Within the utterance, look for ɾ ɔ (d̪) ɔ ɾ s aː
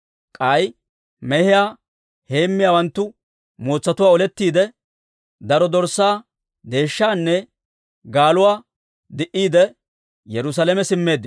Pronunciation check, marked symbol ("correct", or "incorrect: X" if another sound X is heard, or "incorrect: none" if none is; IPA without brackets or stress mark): correct